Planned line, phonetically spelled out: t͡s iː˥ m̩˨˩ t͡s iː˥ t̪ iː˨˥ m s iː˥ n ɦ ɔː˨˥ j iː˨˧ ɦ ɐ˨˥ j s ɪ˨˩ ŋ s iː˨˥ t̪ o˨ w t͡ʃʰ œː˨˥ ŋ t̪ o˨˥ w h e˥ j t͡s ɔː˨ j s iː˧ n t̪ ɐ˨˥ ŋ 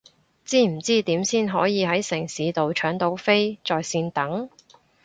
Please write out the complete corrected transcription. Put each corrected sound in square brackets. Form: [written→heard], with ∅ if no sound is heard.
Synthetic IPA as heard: t͡s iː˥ m̩˨˩ t͡s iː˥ t̪ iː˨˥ m s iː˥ n ɦ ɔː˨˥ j iː˨˧ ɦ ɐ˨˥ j s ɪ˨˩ ŋ s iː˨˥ t̪ o˨ w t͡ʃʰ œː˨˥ ŋ t̪ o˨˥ w [h→f] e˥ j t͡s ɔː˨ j s iː˧ n t̪ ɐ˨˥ ŋ